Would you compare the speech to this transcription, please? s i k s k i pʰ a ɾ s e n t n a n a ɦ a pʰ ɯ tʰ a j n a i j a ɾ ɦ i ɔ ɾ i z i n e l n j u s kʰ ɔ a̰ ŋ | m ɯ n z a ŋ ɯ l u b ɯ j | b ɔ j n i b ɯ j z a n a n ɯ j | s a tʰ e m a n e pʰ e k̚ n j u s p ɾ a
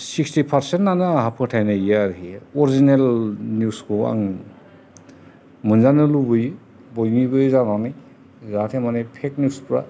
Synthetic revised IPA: s i k s t i pʰ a ɾ s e n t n a n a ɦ a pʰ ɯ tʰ a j n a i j a ɾ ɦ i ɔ ɾ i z i n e l n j u s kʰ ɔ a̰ ŋ | m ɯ n z a n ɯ l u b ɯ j | b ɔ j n i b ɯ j z a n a n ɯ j | z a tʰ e m a n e pʰ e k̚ n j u s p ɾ a

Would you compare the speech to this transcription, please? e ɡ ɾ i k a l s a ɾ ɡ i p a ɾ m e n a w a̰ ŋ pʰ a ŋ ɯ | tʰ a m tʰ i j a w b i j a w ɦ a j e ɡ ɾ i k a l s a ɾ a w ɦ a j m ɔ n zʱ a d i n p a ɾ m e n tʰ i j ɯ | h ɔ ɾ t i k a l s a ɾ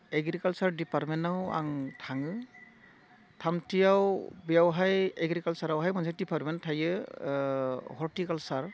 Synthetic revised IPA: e ɡ ɾ i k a l s a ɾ d i p a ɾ m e n a w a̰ ŋ tʰ a ŋ ɯ | tʰ a m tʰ i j a w b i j a w ɦ a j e ɡ ɾ i k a l s a ɾ a w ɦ a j m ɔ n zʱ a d i p a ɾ m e n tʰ a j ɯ | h ɔ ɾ t i k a l s a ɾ

